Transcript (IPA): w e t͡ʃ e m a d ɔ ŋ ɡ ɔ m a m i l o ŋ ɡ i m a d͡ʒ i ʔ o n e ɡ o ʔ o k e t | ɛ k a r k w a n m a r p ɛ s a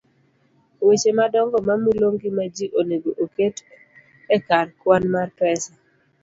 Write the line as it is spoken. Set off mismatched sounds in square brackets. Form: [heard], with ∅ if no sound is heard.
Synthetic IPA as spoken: w e t͡ʃ e m a d ɔ ŋ ɡ ɔ m a m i l o ŋ ɡ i m a d͡ʒ i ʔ o n e ɡ o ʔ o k e t | ɛ k a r k w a n m a r p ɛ s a